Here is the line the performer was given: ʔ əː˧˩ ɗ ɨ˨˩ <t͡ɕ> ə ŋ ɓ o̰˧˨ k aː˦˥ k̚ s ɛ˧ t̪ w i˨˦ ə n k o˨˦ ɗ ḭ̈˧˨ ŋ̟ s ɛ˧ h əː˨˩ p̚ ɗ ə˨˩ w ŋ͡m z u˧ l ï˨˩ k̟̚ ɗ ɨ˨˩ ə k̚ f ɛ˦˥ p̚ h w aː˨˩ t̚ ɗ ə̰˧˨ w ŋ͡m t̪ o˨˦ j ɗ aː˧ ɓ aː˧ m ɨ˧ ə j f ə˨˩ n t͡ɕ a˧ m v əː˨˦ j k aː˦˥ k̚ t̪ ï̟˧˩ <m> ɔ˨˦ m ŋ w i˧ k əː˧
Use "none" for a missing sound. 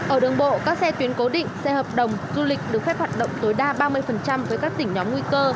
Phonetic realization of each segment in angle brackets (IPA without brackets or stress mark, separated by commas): none, ɲ